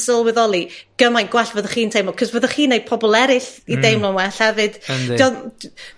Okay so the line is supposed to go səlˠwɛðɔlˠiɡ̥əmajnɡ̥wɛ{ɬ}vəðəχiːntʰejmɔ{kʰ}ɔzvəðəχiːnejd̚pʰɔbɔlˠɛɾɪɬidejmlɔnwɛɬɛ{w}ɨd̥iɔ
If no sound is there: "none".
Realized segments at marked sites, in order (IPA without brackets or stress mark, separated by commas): ɬ, kʰ, v